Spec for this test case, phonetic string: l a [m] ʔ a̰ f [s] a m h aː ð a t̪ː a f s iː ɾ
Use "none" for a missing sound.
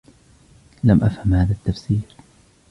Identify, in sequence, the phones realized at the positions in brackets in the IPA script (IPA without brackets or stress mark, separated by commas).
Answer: m, h